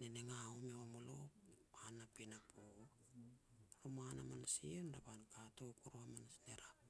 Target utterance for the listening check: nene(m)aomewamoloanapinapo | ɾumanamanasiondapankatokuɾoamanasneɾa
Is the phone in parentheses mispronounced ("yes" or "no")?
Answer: yes